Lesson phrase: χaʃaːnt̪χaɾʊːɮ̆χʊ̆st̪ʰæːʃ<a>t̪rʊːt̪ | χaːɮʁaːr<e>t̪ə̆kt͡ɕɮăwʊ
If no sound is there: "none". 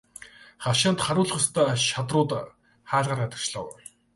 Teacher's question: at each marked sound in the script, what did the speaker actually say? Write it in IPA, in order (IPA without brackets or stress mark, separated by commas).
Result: a, a